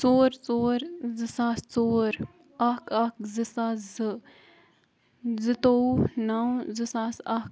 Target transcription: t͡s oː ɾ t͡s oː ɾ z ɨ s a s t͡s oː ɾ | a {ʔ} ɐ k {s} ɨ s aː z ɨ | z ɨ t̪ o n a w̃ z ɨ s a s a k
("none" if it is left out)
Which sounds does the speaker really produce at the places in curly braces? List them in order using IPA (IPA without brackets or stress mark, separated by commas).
k, z